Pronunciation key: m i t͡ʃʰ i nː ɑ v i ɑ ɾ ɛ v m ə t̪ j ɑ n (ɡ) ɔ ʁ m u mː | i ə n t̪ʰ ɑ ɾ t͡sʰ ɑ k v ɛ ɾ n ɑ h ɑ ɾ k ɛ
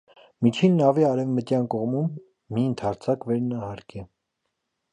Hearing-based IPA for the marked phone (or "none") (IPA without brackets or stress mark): k